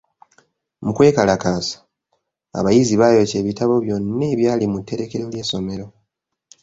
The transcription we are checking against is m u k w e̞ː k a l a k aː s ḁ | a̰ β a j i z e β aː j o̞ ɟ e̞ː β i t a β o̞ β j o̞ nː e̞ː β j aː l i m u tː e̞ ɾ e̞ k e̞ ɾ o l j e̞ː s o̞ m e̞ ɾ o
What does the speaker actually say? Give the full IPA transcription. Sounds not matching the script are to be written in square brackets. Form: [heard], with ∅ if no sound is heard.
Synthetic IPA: m u k w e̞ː k a l a k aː s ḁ | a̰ β a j i z [i] β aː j o̞ [c] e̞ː β i t a β o̞ β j o̞ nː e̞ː β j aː l i m u tː e̞ ɾ e̞ k e̞ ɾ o l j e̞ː s o̞ m e̞ ɾ o